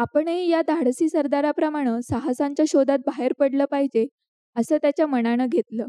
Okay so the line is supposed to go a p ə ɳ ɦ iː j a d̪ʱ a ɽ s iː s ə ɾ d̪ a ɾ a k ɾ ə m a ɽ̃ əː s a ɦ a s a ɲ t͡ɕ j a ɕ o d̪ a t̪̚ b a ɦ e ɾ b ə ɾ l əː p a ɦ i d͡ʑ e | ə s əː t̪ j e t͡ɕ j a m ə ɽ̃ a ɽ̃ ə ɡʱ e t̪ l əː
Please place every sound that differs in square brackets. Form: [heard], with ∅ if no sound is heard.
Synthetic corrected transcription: a p ə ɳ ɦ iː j a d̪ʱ a ɽ s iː s ə ɾ d̪ a ɾ a [p] ɾ ə m a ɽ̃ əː s a ɦ a s a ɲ t͡ɕ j a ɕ o d̪ a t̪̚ b a ɦ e ɾ [p] ə [ɽ] l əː p a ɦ i d͡ʑ e | ə s əː t̪ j [a] t͡ɕ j a m ə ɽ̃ a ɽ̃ ə ɡʱ e t̪ l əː